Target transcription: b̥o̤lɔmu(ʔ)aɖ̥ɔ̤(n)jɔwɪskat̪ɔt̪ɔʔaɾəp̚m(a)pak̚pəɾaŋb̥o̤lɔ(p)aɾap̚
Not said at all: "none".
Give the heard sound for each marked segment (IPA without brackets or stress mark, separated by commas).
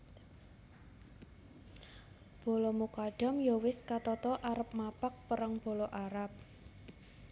k, m, a, ʔ